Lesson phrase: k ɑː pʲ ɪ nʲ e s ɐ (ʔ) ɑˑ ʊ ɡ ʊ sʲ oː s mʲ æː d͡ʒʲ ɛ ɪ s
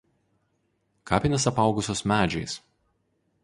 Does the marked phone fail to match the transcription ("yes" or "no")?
yes